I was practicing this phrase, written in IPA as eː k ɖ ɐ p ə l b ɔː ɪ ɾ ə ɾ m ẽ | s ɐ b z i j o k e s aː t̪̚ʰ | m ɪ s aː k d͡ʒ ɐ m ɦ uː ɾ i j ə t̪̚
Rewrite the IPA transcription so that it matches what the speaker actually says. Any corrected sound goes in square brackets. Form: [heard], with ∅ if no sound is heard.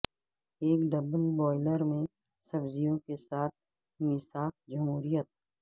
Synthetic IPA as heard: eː k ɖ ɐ [b] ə l b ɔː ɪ [l] ə ɾ m ẽ | s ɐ b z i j [õ] k e s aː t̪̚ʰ | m ɪ s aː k d͡ʒ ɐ m ɦ uː ɾ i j ə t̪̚